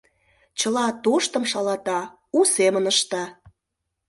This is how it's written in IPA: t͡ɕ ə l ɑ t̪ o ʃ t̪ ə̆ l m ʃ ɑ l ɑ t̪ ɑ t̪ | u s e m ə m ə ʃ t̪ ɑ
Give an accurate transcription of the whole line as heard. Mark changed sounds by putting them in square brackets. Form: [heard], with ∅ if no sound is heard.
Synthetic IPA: t͡ɕ ə l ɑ t̪ o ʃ t̪ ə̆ [∅] m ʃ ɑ l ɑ t̪ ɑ [∅] | u s e m ə [n] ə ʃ t̪ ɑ